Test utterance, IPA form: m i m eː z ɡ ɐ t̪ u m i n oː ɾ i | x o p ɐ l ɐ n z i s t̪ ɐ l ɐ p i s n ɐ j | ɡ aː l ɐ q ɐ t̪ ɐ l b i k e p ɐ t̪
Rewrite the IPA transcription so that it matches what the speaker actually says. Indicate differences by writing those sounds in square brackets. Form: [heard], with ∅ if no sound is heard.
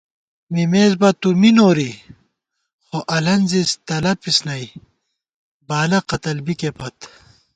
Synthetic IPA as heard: m i m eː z [b] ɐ t̪ u m i n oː ɾ i | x o [ʔ] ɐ l ɐ n z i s t̪ ɐ l ɐ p i s n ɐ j | [b] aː l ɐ q ɐ t̪ ɐ l b i k e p ɐ t̪